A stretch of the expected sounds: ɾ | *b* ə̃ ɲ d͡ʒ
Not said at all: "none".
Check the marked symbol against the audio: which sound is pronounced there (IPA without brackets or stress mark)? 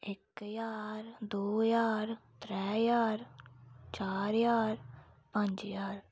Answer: p